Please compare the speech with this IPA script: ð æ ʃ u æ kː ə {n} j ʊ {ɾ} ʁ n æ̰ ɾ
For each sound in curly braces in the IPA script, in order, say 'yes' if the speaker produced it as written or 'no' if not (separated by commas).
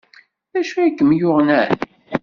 no, no